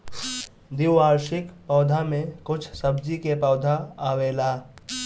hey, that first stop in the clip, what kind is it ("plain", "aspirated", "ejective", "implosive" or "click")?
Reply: plain